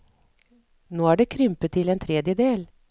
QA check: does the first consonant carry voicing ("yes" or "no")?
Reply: yes